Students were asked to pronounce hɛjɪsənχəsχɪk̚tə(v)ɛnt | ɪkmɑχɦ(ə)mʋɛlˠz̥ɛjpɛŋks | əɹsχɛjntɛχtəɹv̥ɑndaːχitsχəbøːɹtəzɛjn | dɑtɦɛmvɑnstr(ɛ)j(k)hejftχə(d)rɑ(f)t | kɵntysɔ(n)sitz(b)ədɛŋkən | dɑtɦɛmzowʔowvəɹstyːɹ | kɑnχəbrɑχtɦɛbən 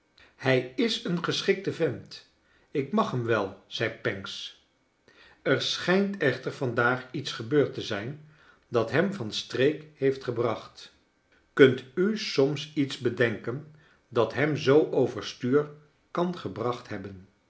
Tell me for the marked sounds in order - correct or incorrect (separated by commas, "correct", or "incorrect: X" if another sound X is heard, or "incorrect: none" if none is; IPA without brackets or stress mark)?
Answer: correct, correct, incorrect: e, correct, incorrect: b, incorrect: χ, incorrect: m, correct